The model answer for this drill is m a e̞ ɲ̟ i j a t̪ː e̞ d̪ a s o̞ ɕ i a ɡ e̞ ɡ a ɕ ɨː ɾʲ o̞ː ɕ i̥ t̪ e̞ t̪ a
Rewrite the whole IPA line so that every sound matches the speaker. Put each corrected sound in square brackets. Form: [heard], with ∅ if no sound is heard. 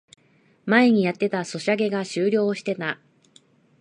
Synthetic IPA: m a e̞ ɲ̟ i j a t̪ː e̞ [t̪] a s o̞ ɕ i a ɡ e̞ ɡ a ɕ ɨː ɾʲ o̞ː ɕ i̥ t̪ e̞ t̪ a